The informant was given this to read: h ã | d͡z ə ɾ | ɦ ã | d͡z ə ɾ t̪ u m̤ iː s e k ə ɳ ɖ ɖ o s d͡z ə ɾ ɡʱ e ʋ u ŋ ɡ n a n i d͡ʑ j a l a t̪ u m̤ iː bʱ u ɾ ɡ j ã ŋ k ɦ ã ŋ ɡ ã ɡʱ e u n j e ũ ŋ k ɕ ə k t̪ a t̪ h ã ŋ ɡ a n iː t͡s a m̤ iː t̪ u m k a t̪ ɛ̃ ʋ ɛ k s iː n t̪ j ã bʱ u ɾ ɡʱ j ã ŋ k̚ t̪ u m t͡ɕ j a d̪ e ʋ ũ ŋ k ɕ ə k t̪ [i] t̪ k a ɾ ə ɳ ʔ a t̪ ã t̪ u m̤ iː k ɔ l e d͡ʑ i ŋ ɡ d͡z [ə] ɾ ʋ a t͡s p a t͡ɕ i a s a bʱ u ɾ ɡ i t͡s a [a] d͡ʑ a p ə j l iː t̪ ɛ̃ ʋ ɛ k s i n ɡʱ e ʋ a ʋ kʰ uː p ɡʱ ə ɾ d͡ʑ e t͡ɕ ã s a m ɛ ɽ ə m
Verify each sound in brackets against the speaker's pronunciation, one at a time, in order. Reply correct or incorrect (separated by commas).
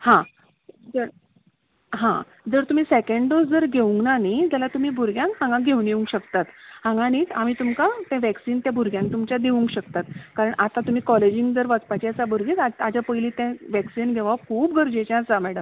incorrect, correct, correct